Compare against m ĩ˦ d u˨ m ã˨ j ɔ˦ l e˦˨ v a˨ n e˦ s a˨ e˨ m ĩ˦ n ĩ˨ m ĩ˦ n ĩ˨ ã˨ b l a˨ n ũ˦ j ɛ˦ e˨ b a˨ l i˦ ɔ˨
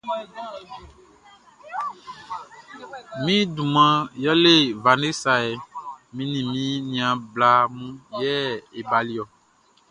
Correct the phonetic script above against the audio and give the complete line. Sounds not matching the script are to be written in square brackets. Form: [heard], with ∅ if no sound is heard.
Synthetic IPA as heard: m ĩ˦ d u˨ m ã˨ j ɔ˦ l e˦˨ v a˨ n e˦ s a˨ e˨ m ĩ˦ n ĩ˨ m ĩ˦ n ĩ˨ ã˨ b l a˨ [m] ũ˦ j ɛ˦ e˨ b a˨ l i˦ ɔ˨